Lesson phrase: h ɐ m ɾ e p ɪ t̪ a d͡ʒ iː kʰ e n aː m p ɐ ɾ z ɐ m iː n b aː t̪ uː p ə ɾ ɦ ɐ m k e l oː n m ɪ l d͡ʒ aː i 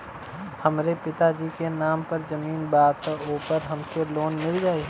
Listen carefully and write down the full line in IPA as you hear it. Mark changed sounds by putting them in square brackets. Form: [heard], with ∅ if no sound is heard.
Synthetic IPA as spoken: h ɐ m ɾ e p ɪ t̪ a d͡ʒ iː [k] e n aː m p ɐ ɾ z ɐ m iː n b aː t̪ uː p ə ɾ ɦ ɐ m k e l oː n m ɪ l d͡ʒ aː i